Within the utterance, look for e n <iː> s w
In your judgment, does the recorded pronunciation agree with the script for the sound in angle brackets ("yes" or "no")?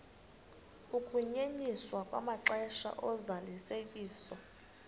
no